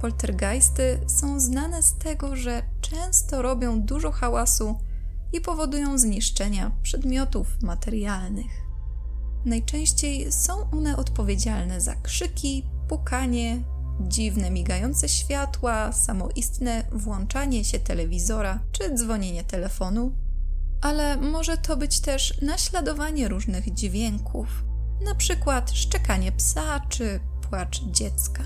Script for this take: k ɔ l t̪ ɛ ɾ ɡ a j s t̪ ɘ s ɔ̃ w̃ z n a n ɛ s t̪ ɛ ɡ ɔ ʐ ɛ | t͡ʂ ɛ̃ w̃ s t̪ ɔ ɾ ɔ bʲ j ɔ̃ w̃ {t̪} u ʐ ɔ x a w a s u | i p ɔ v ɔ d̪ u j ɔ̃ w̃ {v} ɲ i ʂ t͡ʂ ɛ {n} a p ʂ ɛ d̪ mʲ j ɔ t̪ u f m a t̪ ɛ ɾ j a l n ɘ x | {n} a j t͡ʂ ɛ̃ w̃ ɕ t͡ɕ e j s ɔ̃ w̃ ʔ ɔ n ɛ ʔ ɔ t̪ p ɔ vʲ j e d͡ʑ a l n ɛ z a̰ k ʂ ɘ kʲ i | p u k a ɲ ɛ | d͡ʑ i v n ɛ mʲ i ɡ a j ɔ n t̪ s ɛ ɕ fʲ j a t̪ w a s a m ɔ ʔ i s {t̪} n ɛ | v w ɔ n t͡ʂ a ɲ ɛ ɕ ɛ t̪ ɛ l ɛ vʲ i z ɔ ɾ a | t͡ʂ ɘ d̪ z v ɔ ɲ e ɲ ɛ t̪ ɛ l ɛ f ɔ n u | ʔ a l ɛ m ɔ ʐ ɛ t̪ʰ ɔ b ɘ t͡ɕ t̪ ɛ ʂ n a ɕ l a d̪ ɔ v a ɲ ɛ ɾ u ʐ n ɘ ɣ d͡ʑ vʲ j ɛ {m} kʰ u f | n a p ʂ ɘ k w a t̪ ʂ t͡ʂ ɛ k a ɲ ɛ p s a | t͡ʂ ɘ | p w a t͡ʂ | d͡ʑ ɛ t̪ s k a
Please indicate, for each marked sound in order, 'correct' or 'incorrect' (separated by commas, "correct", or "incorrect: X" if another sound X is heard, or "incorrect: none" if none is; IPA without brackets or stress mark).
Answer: incorrect: d̪, incorrect: z, incorrect: ɲ, correct, correct, incorrect: ŋ